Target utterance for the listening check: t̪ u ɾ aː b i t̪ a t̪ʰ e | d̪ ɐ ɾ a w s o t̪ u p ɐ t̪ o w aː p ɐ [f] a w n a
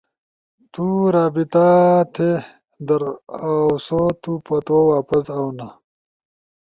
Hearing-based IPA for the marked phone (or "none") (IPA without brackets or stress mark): s